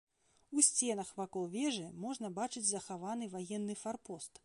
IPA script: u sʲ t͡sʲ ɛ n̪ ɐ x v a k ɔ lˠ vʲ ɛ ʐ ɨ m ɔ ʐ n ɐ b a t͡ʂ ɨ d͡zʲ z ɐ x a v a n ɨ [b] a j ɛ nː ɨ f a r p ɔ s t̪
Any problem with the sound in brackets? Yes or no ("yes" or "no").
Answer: yes